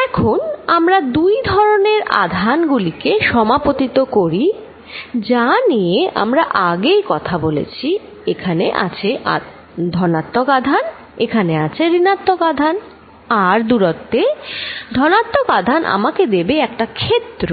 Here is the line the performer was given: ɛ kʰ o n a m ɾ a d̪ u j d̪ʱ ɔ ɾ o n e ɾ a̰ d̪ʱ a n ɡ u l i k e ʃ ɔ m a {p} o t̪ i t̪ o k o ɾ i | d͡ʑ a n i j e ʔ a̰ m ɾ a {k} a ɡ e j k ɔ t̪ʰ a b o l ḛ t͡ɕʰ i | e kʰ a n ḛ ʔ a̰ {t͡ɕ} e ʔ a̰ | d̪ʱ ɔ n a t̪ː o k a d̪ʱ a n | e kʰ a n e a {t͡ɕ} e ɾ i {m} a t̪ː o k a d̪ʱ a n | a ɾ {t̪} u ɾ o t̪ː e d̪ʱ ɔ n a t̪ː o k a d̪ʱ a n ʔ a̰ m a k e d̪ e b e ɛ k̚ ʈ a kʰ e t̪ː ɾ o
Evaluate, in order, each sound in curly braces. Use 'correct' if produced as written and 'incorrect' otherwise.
correct, incorrect, incorrect, incorrect, incorrect, incorrect

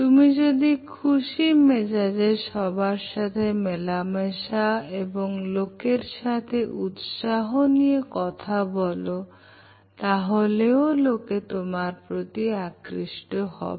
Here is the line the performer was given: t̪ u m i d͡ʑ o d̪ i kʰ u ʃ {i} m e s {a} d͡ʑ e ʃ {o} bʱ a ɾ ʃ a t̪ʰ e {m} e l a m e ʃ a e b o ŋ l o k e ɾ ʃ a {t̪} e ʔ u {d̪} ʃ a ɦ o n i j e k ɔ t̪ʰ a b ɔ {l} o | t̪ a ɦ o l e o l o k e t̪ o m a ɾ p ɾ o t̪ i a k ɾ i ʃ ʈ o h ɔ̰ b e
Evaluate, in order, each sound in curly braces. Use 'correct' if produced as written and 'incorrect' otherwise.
correct, correct, incorrect, correct, incorrect, incorrect, correct

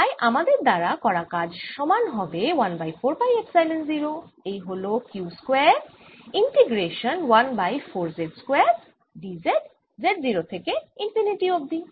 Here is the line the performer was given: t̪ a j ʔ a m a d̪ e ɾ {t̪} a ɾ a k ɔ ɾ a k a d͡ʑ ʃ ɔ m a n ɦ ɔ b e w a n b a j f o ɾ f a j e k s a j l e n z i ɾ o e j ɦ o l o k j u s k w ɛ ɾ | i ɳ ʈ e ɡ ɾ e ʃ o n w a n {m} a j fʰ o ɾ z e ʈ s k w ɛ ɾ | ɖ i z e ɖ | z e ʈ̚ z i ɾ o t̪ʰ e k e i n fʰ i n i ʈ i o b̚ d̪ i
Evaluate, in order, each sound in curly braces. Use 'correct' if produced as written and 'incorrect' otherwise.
incorrect, incorrect

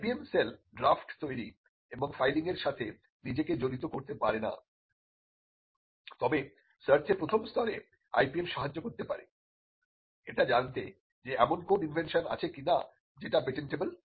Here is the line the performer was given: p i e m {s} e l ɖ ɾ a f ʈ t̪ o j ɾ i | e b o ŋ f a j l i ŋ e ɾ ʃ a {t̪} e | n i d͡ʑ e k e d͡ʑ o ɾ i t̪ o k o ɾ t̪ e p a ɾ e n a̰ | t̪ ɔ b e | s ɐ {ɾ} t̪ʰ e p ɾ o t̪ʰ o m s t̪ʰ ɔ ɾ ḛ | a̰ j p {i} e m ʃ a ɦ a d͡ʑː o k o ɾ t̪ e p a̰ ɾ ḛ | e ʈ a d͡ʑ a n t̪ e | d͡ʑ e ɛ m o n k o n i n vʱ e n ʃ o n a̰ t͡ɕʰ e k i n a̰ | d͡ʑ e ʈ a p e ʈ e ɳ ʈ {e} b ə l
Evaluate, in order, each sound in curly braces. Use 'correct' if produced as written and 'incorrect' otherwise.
correct, incorrect, correct, correct, correct

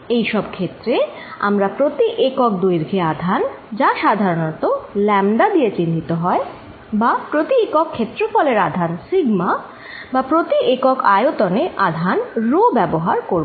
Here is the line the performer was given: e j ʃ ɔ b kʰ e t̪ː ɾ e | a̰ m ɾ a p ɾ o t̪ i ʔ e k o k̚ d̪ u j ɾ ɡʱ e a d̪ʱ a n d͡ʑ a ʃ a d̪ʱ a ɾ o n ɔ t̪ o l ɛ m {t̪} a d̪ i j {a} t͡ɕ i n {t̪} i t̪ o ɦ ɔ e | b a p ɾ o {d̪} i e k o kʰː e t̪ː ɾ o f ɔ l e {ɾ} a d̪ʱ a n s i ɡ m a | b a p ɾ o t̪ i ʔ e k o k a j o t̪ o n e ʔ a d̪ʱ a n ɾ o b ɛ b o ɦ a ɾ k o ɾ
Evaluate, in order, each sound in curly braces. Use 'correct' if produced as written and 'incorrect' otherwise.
incorrect, incorrect, incorrect, incorrect, correct

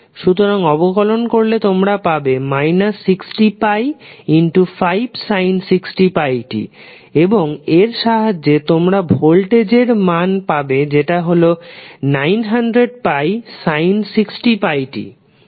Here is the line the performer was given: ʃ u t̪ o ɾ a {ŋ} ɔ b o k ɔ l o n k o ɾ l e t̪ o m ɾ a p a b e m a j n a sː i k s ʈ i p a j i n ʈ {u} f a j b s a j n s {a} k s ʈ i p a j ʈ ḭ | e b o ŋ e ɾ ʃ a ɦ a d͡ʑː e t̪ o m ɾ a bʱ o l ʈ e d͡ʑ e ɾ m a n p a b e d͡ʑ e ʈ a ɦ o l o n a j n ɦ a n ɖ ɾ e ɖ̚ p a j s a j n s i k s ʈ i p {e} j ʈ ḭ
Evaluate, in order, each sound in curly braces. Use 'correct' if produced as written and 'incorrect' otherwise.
correct, correct, incorrect, incorrect

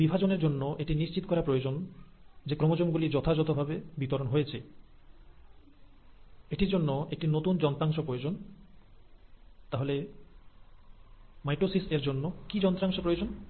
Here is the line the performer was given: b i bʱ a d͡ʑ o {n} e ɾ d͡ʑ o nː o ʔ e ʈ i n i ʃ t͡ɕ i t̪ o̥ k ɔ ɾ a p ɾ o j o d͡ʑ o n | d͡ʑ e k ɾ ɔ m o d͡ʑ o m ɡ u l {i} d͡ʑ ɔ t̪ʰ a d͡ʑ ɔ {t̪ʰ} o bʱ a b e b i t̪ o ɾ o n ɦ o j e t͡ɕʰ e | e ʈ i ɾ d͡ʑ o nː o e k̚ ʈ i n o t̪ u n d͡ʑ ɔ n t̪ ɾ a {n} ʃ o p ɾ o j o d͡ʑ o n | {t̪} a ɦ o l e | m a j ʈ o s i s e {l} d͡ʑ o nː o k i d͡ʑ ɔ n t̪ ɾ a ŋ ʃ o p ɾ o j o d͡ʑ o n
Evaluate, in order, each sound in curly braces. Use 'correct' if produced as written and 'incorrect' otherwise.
correct, correct, incorrect, incorrect, correct, incorrect

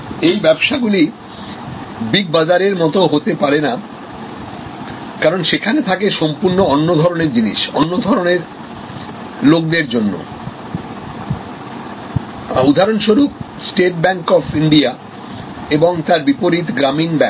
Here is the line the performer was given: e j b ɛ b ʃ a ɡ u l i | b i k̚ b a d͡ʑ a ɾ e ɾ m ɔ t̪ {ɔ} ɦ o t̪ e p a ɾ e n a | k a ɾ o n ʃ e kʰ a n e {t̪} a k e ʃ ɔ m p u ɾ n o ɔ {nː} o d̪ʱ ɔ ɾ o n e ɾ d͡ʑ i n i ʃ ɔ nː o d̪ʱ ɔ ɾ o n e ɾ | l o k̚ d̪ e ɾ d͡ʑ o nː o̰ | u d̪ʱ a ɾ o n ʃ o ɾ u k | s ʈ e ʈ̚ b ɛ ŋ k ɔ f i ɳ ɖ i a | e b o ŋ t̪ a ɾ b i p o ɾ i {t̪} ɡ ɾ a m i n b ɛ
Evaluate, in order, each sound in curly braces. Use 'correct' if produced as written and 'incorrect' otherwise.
incorrect, incorrect, correct, correct

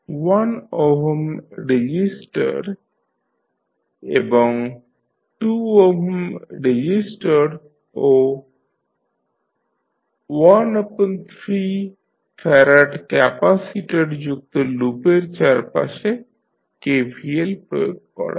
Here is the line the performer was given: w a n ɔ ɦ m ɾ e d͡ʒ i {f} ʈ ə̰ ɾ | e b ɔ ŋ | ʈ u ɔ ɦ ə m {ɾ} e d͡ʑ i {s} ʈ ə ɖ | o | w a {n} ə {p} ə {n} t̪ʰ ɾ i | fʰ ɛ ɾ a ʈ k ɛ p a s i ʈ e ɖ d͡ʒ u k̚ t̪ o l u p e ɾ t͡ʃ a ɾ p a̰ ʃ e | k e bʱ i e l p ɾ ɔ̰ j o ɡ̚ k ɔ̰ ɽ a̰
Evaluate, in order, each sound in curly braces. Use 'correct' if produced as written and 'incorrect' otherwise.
incorrect, correct, correct, correct, correct, correct

